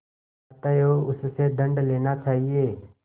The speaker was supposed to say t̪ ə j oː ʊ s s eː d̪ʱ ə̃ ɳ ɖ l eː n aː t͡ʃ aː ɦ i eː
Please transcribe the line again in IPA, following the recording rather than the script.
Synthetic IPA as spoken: t̪ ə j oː ʊ s s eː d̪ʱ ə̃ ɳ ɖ l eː n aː t͡ʃ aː ɦ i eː

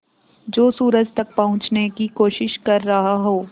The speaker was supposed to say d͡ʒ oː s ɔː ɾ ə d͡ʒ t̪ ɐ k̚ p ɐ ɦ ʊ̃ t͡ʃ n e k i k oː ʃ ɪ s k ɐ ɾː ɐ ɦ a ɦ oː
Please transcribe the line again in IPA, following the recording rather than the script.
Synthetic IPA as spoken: d͡ʒ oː s uː ɾ ə d͡ʒ t̪ ɐ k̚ p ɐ ɦ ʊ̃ t͡ʃ n e k i k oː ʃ ɪ ʃ k ɐ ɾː ɐ ɦ a ɦ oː

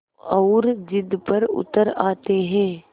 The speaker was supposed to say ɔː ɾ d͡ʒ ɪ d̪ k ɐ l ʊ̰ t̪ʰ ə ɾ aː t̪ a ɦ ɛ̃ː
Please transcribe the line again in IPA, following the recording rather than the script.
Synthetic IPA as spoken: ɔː ɾ d͡ʒ ɪ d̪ p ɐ ɾ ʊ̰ t̪ ə ɾ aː t̪ e ɦ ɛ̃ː

